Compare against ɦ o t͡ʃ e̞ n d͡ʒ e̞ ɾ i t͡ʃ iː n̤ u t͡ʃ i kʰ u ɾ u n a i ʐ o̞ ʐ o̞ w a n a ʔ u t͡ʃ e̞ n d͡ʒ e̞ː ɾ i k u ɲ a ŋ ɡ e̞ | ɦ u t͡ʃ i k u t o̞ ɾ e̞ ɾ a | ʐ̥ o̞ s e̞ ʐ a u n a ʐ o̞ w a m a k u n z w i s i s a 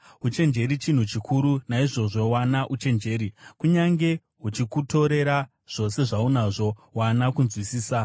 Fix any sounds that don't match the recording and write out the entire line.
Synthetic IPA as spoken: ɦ u t͡ʃ e̞ n d͡ʒ e̞ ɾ i t͡ʃ i n̤ u t͡ʃ i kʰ u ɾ u n a i ʐ o̞ ʐ o̞ w a n a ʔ u t͡ʃ e̞ n d͡ʒ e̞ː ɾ i k u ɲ a ŋ ɡ e̞ | ɦ u t͡ʃ i k u t o̞ ɾ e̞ ɾ a | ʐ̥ o̞ s e̞ ʐ a u n a ʐ o̞ w a n a k u n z w i s iː s a